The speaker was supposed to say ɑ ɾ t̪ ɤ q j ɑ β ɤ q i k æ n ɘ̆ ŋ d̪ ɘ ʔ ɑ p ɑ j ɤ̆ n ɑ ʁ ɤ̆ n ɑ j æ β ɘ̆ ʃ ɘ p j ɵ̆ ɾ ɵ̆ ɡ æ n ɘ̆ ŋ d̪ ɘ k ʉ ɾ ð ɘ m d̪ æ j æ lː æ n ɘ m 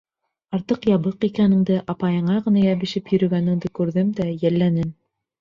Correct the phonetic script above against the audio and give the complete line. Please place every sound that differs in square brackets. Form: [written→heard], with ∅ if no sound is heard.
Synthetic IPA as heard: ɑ ɾ t̪ ɤ q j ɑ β ɤ q i k æ n ɘ̆ ŋ d̪ ɘ ʔ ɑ p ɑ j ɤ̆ [n→ɴ] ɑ ʁ ɤ̆ n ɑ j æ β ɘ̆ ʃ ɘ p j ɵ̆ ɾ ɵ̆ ɡ æ n ɘ̆ ŋ d̪ ɘ k ʉ ɾ ð ɘ m d̪ æ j æ lː æ n ɘ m